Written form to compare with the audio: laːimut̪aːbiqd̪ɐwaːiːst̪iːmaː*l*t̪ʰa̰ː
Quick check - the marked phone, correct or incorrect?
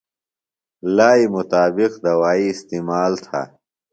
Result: correct